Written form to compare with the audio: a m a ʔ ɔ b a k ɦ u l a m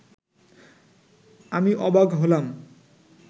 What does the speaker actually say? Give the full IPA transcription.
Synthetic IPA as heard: a m i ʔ ɔ b a ɡ ɦ o l a m